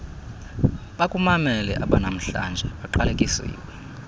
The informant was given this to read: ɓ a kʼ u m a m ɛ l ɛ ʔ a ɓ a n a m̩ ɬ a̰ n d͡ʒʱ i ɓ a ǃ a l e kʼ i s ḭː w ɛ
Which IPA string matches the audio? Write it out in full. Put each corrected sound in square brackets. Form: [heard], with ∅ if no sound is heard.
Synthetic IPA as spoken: ɓ a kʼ u m a m ɛ l ɛ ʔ a ɓ a n a m̩ ɬ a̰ n d͡ʒʱ [ɛ] ɓ a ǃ a l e kʼ i s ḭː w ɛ